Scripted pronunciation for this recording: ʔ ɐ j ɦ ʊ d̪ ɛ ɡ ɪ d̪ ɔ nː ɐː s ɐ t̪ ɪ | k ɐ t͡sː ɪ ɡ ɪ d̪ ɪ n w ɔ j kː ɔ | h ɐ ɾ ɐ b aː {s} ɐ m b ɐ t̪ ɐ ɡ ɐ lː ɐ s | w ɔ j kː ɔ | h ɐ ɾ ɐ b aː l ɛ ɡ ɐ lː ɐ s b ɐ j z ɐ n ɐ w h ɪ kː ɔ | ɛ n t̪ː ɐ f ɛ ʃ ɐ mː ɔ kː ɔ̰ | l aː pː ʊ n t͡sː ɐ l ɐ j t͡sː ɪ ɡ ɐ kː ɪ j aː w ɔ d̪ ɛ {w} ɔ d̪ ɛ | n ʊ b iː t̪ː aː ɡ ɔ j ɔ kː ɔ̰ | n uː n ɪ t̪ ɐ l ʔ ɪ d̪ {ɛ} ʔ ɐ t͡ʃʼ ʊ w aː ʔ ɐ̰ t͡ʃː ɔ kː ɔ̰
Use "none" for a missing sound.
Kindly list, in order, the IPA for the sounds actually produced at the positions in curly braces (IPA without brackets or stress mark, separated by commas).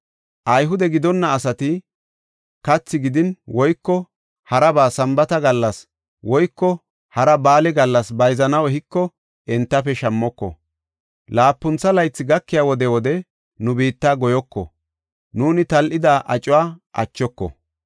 s, w, a